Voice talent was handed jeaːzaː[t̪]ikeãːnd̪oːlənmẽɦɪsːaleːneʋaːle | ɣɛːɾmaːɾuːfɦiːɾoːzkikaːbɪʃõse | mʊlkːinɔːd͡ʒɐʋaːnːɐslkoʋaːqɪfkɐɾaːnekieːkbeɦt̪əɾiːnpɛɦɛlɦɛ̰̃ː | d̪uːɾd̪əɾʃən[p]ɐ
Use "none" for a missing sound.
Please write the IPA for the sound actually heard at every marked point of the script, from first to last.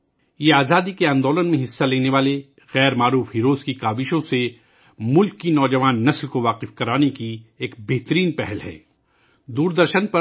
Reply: d̪, p

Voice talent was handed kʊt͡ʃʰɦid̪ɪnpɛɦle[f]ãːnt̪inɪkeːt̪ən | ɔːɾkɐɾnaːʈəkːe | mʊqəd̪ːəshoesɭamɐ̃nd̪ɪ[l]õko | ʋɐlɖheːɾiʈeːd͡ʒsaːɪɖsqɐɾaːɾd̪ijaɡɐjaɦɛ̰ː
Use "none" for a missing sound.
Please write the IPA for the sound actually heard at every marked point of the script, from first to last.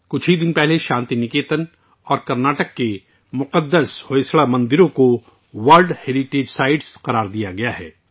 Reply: ʃ, ɾ

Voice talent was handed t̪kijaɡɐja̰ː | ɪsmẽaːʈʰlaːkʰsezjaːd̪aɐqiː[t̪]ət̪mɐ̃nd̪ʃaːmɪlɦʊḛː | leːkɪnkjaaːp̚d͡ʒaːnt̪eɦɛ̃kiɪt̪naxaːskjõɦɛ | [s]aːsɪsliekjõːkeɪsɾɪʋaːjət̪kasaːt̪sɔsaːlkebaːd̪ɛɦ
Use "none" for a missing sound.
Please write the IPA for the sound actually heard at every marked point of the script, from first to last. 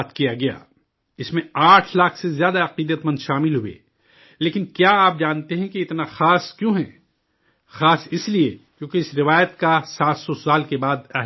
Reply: d̪, x

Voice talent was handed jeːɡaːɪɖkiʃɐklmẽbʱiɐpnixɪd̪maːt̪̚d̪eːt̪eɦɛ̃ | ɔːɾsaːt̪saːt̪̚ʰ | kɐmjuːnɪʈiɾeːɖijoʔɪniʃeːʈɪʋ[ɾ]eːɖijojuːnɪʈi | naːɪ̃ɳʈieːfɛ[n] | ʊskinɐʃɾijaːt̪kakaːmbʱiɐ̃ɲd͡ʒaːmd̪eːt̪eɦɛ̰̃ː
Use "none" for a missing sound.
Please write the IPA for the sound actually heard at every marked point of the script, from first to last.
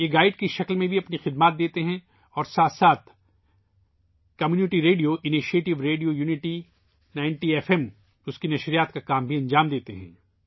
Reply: ɾ, m

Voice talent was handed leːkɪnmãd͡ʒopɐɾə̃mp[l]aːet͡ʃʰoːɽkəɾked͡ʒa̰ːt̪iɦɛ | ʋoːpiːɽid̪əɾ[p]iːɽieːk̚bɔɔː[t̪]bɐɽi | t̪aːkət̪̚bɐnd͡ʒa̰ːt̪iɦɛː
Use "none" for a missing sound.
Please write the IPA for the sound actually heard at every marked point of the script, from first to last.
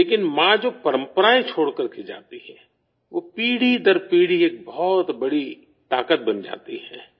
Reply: ɾ, p, t̪

